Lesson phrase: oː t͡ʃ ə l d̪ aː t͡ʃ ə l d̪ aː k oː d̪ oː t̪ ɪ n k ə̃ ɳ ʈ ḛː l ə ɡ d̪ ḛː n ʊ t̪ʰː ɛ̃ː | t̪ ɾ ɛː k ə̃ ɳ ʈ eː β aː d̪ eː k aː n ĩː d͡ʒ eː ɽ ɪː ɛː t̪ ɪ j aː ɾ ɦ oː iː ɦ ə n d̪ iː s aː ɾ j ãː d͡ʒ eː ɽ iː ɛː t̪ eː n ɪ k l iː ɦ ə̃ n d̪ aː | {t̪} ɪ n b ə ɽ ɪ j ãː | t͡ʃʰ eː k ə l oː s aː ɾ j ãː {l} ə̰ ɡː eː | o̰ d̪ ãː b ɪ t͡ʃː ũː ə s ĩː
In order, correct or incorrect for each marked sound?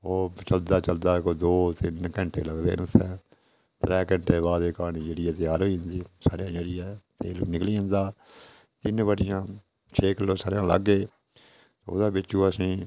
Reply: correct, correct

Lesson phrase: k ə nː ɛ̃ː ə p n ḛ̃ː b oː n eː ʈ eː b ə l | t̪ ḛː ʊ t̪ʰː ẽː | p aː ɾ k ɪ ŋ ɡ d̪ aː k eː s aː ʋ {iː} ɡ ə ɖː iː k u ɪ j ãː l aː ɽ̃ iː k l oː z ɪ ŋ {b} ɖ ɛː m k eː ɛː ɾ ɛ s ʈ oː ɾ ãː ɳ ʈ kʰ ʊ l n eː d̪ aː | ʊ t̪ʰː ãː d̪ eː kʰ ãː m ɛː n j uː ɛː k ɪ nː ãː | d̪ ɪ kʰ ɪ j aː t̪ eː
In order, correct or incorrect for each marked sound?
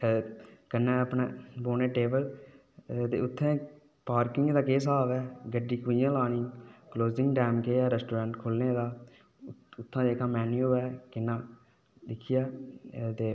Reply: incorrect: ɛː, incorrect: ɡ

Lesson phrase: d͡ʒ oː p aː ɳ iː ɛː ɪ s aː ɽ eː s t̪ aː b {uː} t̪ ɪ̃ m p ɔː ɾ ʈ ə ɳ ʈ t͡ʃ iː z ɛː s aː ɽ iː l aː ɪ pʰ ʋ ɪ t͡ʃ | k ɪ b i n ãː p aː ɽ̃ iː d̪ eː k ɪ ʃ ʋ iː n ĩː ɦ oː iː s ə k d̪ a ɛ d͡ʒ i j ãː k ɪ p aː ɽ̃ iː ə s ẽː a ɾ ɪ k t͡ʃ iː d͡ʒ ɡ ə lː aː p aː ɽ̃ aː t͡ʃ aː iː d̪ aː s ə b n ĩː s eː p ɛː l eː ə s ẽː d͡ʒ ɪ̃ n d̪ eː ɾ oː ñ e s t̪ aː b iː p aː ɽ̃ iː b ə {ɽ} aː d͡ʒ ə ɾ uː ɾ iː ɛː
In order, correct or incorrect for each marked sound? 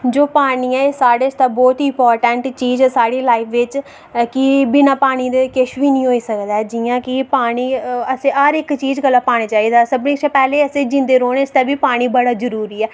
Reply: incorrect: ɔː, correct

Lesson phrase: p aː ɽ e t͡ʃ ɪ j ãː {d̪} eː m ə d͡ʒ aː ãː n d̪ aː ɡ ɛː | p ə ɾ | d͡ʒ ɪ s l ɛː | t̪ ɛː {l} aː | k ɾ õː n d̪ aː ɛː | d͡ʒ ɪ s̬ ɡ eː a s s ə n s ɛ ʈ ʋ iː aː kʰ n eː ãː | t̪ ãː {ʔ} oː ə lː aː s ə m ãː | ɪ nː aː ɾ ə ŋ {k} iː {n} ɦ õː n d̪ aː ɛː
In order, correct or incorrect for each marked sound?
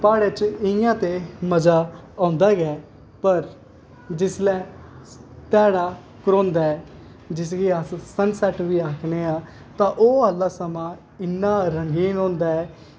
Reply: incorrect: t̪, incorrect: ɽ, correct, incorrect: ɡ, correct

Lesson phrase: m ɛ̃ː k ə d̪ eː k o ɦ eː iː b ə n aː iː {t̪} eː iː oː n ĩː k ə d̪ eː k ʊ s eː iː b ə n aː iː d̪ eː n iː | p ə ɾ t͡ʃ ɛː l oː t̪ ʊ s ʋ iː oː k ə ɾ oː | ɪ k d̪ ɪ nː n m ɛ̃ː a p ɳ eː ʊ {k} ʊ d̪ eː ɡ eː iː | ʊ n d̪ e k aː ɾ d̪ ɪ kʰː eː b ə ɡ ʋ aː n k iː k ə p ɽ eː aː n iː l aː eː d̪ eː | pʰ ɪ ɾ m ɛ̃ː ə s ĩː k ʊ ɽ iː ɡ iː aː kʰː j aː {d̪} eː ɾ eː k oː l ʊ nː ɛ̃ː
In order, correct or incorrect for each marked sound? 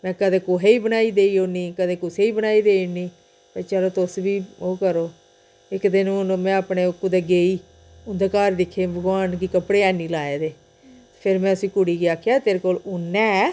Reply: incorrect: d̪, correct, incorrect: t̪

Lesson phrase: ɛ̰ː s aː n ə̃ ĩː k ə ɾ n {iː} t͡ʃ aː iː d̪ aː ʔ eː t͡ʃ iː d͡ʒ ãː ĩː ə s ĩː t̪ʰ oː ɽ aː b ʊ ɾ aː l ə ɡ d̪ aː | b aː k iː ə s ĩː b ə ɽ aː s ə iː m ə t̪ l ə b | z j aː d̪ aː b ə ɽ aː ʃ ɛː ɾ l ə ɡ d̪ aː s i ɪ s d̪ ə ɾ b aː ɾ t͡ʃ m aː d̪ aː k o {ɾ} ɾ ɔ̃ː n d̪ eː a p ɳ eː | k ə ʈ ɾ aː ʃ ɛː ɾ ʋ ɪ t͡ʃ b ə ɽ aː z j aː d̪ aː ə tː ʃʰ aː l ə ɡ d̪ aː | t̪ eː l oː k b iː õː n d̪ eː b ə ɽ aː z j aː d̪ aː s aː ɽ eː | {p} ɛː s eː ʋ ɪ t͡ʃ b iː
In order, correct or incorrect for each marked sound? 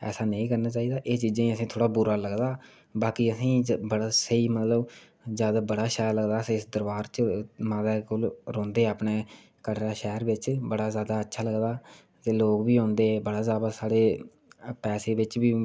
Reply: incorrect: aː, incorrect: l, correct

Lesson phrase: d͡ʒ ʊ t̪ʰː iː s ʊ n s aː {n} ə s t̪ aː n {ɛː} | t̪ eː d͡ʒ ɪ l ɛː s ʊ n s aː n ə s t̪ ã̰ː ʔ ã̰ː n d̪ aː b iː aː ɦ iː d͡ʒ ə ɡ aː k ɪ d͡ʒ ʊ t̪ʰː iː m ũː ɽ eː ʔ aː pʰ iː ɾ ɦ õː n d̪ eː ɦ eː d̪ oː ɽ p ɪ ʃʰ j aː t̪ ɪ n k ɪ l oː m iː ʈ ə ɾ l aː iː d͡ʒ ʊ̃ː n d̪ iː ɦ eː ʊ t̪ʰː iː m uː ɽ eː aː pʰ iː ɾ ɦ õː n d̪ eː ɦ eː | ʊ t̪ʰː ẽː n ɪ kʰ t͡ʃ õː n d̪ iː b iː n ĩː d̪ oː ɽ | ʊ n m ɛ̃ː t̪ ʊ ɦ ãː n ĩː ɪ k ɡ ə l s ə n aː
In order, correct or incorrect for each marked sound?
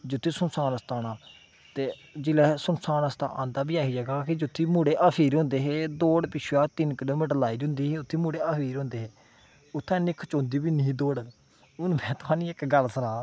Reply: correct, incorrect: aː

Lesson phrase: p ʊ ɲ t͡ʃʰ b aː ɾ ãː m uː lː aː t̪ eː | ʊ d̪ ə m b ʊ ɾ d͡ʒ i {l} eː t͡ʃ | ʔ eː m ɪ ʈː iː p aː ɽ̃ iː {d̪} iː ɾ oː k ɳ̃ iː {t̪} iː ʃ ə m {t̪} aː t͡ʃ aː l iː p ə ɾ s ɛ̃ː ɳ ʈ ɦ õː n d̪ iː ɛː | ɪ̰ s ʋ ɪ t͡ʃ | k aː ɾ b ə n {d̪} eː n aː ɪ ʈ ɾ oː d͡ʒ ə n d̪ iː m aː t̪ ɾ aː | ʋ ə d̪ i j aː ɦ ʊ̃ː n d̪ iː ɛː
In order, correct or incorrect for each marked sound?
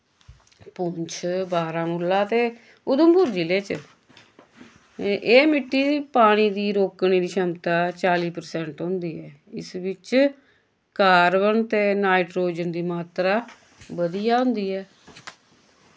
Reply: correct, correct, incorrect: d̪, correct, incorrect: t̪

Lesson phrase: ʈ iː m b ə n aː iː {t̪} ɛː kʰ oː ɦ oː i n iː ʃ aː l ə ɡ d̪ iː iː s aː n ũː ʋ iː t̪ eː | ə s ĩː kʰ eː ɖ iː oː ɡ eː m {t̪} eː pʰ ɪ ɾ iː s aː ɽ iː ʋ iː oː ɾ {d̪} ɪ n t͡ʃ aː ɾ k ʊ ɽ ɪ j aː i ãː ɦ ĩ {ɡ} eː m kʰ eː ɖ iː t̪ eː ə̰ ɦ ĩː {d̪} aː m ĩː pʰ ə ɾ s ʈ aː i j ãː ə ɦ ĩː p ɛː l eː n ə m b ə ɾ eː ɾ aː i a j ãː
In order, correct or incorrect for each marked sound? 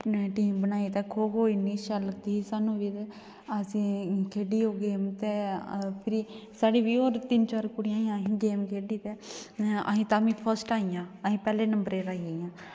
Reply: correct, correct, incorrect: t̪, correct, incorrect: t̪

